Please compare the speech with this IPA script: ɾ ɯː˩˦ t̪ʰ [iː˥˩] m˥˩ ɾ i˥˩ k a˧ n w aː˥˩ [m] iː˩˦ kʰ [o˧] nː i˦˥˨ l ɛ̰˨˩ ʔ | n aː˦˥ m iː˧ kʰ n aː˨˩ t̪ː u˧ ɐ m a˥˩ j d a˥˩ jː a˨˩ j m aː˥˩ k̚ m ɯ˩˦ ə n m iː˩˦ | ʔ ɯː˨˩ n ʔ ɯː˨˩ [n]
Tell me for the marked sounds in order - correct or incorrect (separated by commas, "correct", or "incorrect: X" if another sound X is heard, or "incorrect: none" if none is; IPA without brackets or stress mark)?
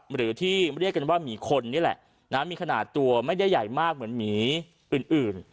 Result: correct, correct, correct, correct